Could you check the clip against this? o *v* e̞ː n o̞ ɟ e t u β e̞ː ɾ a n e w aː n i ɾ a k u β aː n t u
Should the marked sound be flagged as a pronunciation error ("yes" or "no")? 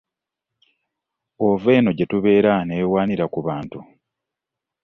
no